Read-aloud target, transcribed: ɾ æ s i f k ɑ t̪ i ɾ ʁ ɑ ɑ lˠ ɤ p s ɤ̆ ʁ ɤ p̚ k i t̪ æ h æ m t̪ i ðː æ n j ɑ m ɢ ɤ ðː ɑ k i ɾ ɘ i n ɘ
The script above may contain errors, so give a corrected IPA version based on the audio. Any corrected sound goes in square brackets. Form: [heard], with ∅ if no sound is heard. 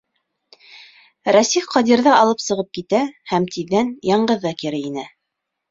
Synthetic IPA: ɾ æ s i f [q] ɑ [d̪] i ɾ [ð] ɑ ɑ lˠ ɤ p s ɤ̆ ʁ ɤ p̚ k i t̪ æ h æ m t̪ i ðː æ n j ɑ [ɴ] ɢ ɤ ðː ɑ k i ɾ ɘ i n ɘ

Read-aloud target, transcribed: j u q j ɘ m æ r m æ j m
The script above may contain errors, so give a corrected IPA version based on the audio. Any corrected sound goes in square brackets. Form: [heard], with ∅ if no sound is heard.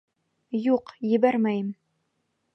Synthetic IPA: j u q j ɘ [b] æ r m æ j m

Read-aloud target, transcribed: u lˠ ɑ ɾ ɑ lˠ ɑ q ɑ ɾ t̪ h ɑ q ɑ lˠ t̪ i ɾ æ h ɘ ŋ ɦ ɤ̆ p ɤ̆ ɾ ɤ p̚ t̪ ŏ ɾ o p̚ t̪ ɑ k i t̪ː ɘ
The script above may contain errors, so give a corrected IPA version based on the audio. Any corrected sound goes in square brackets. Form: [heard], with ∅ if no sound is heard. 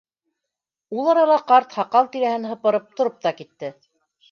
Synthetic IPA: u lˠ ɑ ɾ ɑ lˠ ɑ q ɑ ɾ t̪ h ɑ q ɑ lˠ t̪ i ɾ æ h ɘ [n] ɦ ɤ̆ p ɤ̆ ɾ ɤ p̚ t̪ ŏ ɾ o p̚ t̪ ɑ k i t̪ː ɘ

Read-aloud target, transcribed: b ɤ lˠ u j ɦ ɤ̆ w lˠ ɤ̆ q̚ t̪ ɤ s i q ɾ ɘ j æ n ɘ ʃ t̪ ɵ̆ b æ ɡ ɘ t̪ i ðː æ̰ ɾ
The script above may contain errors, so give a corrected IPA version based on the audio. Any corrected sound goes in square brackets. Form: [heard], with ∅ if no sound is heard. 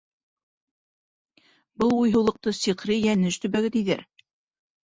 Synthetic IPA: b ɤ lˠ u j ɦ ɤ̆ w lˠ ɤ̆ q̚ t̪ ɤ s i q ɾ ɘ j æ n ɘ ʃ t̪ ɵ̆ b æ ɡ ɘ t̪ i [ð] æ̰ ɾ

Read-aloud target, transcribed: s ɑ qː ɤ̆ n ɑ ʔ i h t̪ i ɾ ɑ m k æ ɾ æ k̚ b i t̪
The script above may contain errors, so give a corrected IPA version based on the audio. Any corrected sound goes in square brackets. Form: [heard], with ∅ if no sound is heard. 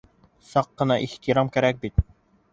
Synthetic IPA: s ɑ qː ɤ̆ n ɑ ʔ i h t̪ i ɾ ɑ m k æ ɾ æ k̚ b i t̪

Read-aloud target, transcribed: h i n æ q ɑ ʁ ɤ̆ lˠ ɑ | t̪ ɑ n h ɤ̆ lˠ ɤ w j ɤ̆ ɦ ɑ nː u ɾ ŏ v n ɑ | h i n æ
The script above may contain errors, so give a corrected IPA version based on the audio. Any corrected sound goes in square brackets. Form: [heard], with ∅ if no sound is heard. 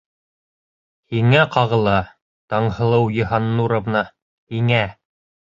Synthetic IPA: h i [ŋ] æ q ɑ ʁ ɤ̆ lˠ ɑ | t̪ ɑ [ɴ] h ɤ̆ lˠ ɤ w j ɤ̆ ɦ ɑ nː u ɾ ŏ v n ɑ | h i [ŋ] æ

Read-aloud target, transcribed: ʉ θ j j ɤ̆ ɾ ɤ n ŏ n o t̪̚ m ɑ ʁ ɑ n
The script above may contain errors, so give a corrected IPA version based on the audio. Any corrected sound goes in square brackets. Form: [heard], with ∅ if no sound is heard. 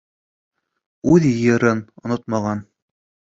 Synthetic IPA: ʉ [ð] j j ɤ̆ ɾ ɤ n ŏ n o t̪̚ m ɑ ʁ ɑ n

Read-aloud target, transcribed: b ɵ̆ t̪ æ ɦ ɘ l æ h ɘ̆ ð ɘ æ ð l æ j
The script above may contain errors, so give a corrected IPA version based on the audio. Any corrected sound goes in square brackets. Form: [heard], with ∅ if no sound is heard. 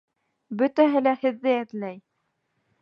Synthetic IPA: b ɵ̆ t̪ æ ɦ ɘ l æ h ɘ̆ [ðː] ɘ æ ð l æ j

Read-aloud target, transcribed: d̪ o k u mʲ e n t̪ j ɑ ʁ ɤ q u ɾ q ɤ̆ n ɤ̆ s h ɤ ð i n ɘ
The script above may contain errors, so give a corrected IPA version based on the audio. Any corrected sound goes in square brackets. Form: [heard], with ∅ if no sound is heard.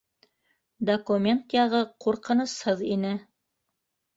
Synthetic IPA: d̪ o k u mʲ e n t̪ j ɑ ʁ ɤ q u ɾ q ɤ̆ n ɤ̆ s h ɤ ð i n ɘ

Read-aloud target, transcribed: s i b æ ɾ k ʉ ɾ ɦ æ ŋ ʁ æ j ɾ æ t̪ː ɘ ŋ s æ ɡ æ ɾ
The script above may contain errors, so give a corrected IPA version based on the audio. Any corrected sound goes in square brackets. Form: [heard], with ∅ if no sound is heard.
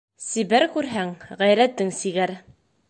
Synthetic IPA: s i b æ ɾ k ʉ ɾ ɦ æ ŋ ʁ æ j ɾ æ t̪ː ɘ ŋ s [i] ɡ æ ɾ

